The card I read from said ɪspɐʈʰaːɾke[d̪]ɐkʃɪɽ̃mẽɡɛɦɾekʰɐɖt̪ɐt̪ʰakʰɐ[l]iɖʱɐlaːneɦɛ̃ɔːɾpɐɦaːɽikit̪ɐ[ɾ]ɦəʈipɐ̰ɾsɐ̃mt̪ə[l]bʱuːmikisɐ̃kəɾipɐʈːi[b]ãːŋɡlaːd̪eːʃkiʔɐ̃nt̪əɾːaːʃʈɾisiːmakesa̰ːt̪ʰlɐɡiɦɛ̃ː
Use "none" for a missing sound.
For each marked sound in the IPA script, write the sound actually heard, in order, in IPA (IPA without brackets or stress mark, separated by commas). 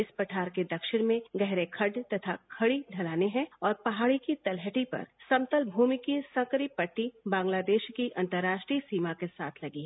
d̪, ɽ, l, l, b